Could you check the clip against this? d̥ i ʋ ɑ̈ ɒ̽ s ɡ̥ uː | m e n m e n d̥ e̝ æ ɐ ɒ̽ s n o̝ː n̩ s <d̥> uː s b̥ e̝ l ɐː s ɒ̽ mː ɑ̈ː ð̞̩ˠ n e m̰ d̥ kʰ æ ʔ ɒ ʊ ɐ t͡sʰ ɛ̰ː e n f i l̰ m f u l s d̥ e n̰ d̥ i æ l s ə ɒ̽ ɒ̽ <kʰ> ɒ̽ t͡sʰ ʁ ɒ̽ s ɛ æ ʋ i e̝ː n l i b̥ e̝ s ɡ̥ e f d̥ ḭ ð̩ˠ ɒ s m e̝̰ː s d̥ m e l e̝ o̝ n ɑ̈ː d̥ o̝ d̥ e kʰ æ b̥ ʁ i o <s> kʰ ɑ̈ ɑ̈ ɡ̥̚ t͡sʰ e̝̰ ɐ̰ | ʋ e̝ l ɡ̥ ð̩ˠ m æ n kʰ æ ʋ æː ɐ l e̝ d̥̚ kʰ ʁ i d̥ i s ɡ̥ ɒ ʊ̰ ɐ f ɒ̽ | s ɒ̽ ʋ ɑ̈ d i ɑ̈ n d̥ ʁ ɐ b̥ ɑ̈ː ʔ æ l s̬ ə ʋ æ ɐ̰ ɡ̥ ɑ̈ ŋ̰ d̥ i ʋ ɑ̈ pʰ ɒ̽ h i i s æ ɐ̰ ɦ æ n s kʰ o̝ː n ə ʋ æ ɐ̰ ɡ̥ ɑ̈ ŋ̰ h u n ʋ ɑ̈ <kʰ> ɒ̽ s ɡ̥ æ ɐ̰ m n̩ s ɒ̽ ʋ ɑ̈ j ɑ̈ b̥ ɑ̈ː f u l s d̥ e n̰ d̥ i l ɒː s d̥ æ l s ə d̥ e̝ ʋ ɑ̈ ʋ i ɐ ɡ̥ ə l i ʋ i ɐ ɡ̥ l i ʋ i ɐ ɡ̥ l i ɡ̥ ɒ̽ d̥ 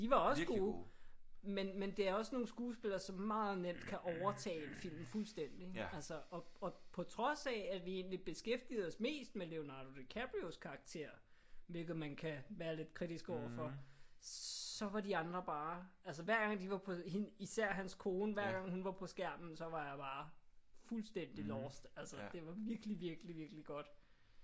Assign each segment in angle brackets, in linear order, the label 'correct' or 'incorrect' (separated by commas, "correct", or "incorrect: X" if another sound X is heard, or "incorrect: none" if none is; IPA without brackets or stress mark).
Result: incorrect: ɡ̥, incorrect: pʰ, correct, incorrect: pʰ